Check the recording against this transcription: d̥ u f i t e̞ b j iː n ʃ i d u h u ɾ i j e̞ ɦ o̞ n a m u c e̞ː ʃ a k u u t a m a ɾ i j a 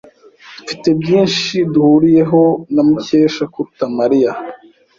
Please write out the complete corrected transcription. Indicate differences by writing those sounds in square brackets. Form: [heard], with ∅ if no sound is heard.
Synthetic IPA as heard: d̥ u f i t e̞ b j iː n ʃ i d u h u ɾ i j e̞ ɦ o̞ n a m u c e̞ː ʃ a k u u t a m a ɾ i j a